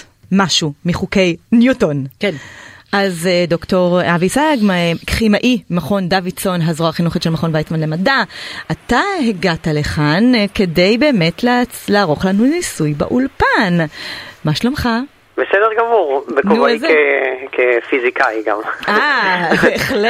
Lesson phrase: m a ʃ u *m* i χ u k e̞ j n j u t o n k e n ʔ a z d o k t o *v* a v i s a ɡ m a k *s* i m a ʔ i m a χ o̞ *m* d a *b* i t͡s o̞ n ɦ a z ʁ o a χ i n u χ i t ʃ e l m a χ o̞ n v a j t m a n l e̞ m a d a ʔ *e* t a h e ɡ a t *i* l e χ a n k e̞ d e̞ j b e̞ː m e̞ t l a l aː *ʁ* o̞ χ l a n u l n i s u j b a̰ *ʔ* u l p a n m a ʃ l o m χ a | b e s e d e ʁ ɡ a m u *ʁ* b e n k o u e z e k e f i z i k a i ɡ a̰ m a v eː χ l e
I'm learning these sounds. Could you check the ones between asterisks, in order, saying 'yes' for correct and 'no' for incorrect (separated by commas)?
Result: yes, no, no, no, no, no, no, yes, yes, yes